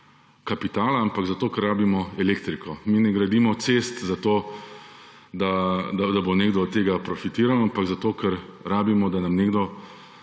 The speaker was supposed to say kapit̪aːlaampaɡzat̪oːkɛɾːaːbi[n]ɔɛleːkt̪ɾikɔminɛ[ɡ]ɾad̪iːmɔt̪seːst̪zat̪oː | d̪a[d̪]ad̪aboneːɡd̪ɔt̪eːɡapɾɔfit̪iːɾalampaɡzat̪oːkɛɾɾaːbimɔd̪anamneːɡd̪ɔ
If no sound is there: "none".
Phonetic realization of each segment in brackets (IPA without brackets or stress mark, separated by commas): m, ɡ, d̪